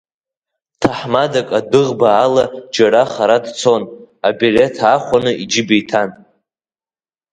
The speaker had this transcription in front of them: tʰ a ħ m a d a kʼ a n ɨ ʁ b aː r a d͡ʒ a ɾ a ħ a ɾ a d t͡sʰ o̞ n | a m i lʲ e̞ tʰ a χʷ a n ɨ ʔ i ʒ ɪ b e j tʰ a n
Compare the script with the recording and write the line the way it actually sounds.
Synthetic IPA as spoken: tʰ a ħ m a d a kʼ a d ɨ ʁ b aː l a d͡ʒ a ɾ a χ a ɾ a d t͡sʰ o̞ n | a b i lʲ e̞ tʰ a χʷ a n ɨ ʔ i d͡ʒ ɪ b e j tʰ a n